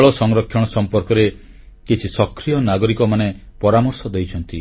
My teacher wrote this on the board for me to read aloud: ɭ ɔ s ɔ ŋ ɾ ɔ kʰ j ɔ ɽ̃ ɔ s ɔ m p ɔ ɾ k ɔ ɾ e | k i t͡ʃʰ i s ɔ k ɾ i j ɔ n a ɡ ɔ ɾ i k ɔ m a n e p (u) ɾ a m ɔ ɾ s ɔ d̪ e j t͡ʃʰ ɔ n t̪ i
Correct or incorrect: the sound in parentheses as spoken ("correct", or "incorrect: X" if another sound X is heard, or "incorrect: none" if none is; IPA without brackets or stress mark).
incorrect: ɔ